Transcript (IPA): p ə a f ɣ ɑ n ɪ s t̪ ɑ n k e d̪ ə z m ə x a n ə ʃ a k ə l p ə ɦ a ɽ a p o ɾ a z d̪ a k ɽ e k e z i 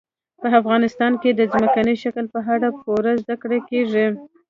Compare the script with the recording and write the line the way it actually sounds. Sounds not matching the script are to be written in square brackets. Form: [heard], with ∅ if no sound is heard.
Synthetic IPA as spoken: p ə a f ɣ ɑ n ɪ s t̪ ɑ n k e d̪ ə z m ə [k] a n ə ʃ a k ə l p ə ɦ a ɽ a p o ɾ a z d̪ a k ɽ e k e [ʐ] i